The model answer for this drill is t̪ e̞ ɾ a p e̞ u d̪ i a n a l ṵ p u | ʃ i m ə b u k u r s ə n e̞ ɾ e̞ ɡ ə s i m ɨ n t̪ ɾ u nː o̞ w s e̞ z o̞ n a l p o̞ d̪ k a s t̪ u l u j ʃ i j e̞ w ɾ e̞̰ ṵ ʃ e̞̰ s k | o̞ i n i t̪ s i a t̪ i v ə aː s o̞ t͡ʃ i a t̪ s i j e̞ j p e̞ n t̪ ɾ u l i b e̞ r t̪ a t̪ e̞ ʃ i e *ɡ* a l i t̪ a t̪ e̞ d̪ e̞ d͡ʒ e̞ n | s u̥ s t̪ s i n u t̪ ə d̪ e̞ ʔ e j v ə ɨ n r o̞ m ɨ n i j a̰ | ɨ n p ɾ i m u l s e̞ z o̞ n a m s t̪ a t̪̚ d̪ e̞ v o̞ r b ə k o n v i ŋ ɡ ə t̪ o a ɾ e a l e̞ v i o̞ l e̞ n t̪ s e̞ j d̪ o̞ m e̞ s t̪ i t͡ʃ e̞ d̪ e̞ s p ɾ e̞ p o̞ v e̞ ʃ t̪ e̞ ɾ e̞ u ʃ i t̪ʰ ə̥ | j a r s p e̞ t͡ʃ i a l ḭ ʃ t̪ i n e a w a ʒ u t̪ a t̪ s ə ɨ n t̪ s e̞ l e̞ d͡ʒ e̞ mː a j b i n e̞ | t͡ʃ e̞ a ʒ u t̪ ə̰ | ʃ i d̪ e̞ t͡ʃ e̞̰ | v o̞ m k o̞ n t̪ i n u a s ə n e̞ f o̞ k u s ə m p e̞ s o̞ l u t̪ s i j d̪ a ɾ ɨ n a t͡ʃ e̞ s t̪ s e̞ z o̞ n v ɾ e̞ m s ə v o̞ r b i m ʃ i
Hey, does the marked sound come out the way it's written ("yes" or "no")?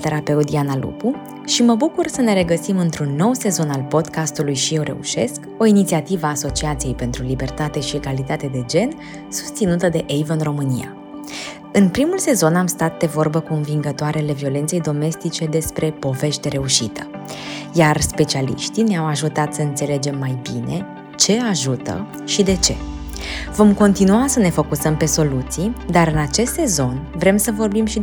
yes